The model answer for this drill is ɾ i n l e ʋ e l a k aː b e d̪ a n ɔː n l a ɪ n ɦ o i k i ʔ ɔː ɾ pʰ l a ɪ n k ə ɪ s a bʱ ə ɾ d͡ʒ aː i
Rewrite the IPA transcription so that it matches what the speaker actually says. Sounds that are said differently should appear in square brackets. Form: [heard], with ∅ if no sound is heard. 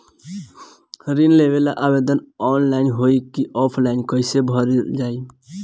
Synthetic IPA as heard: ɾ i n l e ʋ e l a [ʔ] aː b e d̪ [ə] n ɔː n l a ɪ n ɦ o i k i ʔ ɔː [∅] pʰ l a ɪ n k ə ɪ s [e] bʱ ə ɾ d͡ʒ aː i